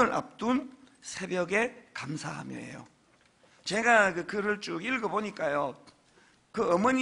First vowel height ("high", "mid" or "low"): high